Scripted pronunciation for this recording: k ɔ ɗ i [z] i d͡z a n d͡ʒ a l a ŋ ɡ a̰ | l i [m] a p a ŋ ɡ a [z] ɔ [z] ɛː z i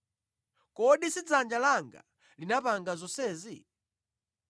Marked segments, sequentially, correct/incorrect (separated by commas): incorrect, incorrect, correct, incorrect